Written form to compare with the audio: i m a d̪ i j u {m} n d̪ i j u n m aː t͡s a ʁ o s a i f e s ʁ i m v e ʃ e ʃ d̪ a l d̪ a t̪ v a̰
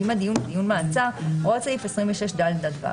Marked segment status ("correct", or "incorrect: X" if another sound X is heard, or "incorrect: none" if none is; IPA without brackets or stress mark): incorrect: none